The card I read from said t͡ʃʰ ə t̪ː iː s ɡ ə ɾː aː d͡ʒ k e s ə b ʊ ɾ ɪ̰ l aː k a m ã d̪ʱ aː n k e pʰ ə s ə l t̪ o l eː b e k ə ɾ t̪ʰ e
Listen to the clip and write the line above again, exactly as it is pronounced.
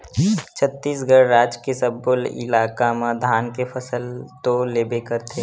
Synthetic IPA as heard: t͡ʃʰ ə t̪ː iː s ɡ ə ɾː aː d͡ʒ k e s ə b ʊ l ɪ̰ l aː k a m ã d̪ʱ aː n k e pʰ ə s ə l t̪ o l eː b e k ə ɾ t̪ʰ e